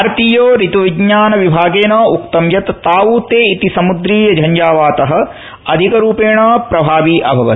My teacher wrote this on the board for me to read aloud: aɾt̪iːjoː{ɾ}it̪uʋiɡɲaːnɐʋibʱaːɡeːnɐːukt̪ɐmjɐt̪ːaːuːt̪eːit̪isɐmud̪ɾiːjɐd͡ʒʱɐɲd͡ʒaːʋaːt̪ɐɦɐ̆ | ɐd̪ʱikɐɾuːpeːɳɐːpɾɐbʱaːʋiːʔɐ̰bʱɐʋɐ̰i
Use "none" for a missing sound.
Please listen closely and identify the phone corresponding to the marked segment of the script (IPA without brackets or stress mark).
ɾ